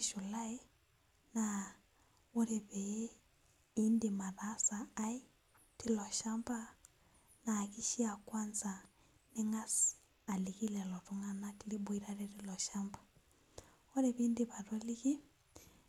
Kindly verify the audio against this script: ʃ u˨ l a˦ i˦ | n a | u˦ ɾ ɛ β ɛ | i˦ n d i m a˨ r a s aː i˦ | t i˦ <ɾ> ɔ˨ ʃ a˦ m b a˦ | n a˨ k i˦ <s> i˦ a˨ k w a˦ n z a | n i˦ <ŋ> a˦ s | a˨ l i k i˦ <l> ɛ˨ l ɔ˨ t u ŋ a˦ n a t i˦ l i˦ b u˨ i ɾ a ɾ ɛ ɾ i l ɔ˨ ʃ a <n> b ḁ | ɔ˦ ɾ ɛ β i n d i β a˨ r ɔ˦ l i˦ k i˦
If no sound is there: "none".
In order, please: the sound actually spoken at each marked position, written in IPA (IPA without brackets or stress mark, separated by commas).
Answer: l, ʃ, ŋ, l, m